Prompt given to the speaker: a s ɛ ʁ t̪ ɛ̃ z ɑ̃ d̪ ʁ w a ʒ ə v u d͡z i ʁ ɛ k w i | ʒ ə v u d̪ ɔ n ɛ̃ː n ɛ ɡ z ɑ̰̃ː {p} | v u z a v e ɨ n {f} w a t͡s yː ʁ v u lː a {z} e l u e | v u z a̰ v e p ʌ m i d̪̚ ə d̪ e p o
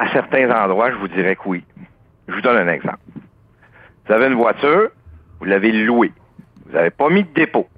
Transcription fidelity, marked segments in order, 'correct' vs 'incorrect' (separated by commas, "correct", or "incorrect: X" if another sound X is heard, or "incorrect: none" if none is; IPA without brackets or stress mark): correct, incorrect: v, incorrect: v